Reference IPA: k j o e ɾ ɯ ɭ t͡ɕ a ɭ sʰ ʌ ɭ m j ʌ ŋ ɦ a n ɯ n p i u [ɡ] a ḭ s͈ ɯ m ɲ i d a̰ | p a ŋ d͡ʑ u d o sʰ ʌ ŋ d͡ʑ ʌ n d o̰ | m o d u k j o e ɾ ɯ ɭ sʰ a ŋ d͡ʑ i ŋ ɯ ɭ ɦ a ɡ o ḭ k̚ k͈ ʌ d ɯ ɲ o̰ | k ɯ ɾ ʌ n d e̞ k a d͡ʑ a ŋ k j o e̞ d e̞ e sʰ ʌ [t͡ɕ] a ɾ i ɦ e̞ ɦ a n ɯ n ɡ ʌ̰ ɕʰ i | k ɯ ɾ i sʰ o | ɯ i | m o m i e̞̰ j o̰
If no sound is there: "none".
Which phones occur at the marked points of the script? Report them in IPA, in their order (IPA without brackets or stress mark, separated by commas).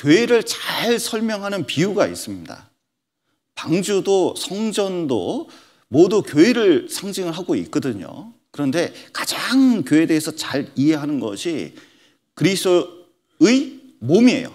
ɡ, t͡ɕ